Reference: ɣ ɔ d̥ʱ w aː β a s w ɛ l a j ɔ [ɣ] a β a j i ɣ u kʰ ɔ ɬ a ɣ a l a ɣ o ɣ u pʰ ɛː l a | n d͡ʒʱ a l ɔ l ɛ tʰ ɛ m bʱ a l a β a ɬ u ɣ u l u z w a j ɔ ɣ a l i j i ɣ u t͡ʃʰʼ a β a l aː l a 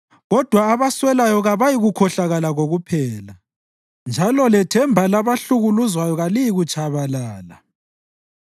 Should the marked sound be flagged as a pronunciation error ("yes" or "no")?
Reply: no